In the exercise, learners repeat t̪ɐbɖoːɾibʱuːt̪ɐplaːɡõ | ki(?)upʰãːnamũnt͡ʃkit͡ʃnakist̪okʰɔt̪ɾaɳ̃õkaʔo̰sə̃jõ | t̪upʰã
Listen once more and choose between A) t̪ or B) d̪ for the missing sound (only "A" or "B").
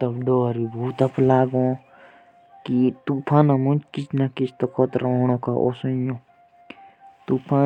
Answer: A